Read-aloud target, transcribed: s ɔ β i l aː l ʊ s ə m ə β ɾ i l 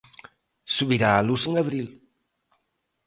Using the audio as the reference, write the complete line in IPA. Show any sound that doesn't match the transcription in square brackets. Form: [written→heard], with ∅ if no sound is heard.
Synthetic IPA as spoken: s [ɔ→u] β i [l→ɾ] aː l [ʊ→u] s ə [m→ŋ] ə β ɾ i l